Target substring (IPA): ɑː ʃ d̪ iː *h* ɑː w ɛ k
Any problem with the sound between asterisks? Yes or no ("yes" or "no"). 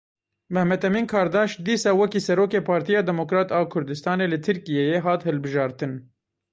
yes